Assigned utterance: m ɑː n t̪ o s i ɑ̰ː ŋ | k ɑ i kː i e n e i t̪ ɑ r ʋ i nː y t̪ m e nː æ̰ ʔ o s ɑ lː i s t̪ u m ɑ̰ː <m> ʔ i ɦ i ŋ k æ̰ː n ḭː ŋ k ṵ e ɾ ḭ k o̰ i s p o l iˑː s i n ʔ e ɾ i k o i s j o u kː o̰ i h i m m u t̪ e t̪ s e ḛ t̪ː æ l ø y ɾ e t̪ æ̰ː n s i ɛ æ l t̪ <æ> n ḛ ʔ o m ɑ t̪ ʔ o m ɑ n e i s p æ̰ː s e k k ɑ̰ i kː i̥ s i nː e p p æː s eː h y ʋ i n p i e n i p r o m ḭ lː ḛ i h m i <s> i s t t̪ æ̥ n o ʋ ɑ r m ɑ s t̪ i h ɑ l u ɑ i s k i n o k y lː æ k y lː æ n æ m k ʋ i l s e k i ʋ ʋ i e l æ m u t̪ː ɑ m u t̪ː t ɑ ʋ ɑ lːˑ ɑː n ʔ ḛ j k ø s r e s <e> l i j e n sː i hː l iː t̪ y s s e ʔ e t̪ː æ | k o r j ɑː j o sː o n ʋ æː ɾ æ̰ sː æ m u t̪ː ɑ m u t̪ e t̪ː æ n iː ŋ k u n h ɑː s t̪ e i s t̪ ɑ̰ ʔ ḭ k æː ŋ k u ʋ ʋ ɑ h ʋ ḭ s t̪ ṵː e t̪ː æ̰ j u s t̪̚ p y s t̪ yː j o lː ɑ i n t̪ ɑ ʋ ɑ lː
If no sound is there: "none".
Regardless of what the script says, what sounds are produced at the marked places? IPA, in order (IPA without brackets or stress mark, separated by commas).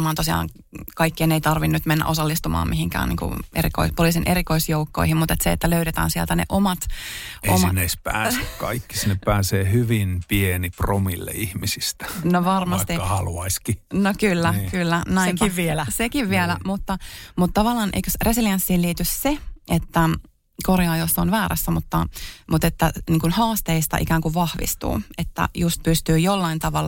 m, æ, s, i